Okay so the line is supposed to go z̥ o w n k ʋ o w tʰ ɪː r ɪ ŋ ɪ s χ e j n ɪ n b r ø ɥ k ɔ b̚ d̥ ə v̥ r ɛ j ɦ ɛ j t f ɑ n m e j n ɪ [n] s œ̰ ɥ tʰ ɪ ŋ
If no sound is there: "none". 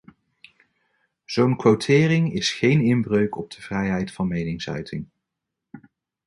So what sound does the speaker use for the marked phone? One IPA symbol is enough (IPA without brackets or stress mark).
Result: ŋ